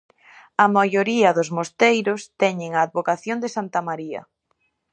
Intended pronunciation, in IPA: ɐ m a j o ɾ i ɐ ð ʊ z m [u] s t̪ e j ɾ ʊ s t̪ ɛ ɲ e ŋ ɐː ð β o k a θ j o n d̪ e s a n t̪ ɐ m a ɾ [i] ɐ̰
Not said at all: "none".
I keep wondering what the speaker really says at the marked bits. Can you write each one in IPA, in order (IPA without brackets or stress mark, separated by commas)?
o, i